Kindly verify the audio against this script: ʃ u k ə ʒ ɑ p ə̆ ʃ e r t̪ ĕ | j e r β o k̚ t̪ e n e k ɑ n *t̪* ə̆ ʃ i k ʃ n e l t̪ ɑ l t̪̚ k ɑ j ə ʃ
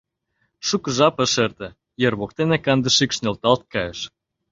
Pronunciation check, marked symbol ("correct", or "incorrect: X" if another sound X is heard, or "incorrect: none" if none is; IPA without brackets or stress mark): incorrect: d̪